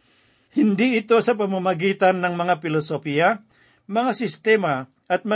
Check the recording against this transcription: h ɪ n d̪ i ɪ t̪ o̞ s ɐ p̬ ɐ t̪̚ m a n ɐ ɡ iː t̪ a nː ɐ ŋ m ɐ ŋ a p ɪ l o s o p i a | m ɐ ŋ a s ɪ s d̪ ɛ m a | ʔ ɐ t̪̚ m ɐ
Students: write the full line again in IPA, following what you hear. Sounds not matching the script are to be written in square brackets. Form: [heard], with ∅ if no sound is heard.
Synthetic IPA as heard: h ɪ n d̪ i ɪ t̪ o̞ s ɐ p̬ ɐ [∅] m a [m] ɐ ɡ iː t̪ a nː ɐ ŋ m ɐ ŋ a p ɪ l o s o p i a | m ɐ ŋ a s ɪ s [t̪] ɛ m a | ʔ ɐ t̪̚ m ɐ